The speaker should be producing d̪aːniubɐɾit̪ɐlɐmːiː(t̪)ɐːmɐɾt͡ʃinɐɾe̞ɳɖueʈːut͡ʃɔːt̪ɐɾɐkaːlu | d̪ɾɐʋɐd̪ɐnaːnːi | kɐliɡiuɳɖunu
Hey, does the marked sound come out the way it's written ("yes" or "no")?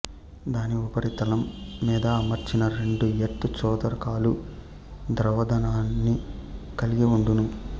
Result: no